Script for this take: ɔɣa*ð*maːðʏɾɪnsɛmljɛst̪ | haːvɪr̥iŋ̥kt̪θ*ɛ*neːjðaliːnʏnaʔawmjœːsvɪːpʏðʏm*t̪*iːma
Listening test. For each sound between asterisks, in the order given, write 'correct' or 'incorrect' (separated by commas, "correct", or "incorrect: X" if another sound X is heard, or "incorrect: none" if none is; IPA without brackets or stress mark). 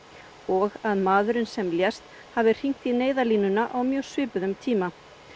correct, incorrect: i, incorrect: t̪ʰ